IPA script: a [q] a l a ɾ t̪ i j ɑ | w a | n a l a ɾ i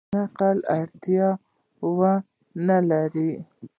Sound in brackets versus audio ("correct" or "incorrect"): correct